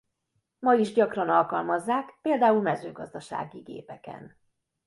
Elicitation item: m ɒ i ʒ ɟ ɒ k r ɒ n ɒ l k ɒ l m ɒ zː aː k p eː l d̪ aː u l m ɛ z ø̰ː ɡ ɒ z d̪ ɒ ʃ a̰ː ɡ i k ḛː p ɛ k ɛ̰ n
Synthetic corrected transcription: m ɒ i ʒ ɟ ɒ k r ɒ n ɒ l k ɒ l m ɒ zː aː k p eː l d̪ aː u l m ɛ z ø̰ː ɡ ɒ z d̪ ɒ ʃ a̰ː ɡ i ɡ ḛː p ɛ k ɛ̰ n